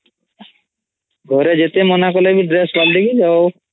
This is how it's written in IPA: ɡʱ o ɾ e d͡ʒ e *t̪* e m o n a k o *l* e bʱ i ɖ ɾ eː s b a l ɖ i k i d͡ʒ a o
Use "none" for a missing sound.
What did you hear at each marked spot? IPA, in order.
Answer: t̪, l

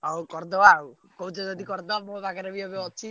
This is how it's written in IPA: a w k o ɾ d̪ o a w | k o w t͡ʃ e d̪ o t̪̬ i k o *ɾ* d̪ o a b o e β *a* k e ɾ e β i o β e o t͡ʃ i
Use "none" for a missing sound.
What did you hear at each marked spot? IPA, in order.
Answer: ɾ, a

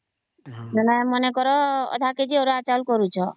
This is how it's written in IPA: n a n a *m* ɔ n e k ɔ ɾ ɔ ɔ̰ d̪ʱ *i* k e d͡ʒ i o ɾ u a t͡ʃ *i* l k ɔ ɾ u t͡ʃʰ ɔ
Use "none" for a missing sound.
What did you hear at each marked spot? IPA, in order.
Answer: m, a, a

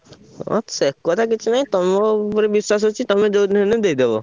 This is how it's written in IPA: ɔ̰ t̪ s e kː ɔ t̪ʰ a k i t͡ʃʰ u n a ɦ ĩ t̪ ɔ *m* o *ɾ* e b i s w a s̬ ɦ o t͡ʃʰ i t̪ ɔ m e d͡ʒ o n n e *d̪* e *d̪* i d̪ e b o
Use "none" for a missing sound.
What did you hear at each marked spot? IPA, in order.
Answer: m, ɾ, d̪, none

